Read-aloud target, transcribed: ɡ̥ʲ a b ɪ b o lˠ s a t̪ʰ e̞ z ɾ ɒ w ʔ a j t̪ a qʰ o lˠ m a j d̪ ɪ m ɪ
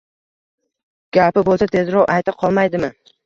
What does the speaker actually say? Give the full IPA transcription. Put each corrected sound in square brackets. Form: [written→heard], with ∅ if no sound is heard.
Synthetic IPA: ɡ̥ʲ a [b→p] ɪ b o lˠ s a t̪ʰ e̞ z ɾ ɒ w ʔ a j t̪ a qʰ [o→ɒ] lˠ m a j d̪ ɪ m ɪ

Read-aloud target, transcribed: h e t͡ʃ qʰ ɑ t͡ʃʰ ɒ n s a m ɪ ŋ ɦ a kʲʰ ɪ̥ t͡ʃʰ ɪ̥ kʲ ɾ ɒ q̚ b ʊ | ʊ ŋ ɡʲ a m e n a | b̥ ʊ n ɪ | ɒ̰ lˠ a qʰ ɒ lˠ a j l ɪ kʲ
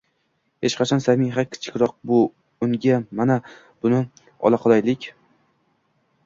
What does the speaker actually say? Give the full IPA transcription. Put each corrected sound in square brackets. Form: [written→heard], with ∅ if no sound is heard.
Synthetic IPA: h e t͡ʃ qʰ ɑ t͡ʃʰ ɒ n s a m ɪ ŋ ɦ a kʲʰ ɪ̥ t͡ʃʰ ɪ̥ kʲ ɾ ɒ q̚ b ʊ | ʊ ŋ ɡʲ a m [e→a] n a | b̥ ʊ n ɪ | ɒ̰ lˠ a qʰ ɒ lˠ a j l ɪ kʲ

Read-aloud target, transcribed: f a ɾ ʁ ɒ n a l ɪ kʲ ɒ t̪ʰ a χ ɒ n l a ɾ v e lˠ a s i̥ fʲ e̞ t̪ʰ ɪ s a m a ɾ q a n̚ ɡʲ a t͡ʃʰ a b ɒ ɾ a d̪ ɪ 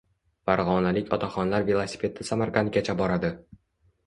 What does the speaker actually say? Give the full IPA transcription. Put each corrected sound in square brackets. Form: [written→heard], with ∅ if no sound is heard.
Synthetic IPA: f a ɾ ʁ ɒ n a l ɪ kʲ ɒ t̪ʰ a χ ɒ n l a ɾ v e lˠ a s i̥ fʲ e̞ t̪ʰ ɪ s a m a ɾ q a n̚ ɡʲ a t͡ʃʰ a b ɒ ɾ a d̪ ɪ

